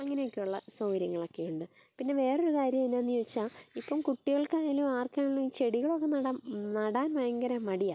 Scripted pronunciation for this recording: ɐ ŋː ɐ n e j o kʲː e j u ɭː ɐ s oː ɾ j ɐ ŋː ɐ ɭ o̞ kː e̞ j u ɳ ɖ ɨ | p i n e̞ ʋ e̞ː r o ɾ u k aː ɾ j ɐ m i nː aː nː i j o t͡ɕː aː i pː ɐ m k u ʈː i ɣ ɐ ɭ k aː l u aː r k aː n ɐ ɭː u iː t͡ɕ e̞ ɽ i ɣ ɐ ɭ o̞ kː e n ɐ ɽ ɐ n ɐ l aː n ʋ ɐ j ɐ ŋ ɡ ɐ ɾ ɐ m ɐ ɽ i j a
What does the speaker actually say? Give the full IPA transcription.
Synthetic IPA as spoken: ɐ ŋː ɐ n e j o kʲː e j u ɭː ɐ s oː ɾ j ɐ ŋː ɐ ɭ o̞ kː e̞ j u ɳ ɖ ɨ | p i nː e̞ ʋ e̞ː r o ɾ u k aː ɾ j ɐ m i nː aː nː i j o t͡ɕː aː i pː ɐ m k u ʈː i ɣ ɐ ɭ k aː l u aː r k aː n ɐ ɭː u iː t͡ɕ e̞ ɽ i ɣ ɐ ɭ o̞ kː e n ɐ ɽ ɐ n ɐ ɽ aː n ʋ ɐ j ɐ ŋ ɡ ɐ ɾ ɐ m ɐ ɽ i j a